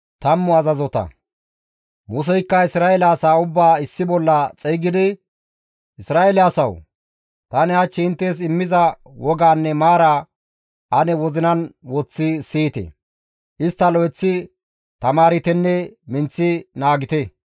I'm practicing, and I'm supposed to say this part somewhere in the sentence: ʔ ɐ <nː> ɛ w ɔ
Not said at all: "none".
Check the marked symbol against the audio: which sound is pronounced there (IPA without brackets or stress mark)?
n